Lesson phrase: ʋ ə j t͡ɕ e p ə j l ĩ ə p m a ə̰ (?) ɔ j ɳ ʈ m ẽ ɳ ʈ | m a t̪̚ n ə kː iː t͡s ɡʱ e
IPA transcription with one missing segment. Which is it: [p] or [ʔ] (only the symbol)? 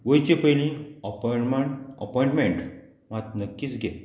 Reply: p